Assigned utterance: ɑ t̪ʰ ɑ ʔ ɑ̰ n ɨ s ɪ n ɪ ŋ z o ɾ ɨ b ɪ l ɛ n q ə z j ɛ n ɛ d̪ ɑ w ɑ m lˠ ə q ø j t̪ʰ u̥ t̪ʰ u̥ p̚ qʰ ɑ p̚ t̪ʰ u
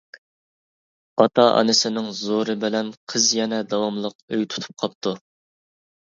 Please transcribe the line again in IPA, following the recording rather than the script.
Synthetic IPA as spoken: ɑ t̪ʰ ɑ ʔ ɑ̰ n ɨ s ɪ n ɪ ŋ z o ɾ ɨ b ɪ l ɛ n qʰ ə z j ɛ n ɛ d̪ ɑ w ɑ m lˠ ə q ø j t̪ʰ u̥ t̪ʰ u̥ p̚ qʰ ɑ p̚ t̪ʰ u